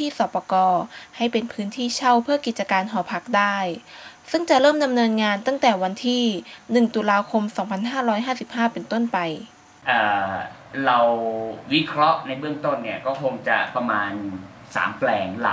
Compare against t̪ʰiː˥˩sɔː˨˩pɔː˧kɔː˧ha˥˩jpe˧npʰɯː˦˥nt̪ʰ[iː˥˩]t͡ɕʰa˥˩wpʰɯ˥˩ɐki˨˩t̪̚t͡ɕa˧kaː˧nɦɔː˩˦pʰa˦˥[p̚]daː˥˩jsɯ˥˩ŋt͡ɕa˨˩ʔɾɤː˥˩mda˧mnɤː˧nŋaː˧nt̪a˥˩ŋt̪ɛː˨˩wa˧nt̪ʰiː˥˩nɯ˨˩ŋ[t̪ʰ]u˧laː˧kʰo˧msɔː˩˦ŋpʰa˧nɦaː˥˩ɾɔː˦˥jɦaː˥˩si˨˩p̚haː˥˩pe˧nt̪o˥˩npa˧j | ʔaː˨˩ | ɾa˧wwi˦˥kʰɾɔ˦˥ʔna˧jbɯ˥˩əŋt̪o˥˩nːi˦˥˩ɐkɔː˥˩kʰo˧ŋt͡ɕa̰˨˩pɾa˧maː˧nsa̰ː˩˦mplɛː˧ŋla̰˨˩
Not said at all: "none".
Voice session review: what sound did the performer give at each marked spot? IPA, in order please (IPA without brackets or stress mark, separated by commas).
iː˥˩, k̚, t̪